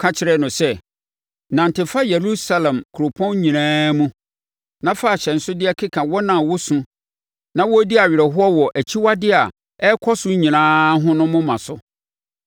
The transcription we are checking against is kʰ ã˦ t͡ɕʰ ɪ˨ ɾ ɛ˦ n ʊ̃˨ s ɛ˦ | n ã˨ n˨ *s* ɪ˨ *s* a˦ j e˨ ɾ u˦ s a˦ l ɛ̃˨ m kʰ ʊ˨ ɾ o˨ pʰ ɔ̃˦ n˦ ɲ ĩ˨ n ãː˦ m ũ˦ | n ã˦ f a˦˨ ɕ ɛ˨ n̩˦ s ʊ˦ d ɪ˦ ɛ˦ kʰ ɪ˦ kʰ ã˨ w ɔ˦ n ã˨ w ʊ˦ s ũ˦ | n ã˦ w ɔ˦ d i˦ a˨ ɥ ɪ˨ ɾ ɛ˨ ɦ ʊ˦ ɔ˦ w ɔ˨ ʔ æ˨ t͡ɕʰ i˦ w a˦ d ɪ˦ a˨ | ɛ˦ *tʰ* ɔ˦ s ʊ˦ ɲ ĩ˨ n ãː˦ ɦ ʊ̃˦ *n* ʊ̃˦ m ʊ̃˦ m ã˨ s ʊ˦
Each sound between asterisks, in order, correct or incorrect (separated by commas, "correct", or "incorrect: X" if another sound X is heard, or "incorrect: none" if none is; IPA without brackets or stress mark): incorrect: t, incorrect: f, incorrect: kʰ, correct